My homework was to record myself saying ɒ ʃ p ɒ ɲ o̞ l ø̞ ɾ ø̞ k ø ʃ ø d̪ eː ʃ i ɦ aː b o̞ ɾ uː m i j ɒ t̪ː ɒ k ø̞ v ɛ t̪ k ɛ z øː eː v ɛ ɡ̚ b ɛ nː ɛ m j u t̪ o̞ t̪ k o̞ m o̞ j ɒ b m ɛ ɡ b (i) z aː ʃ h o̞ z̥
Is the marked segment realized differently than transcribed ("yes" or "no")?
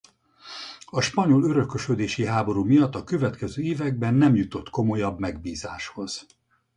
yes